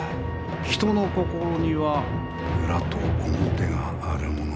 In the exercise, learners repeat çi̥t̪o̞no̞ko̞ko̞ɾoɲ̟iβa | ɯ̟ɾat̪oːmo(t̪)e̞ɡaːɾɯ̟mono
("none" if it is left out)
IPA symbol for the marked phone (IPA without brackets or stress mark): t̪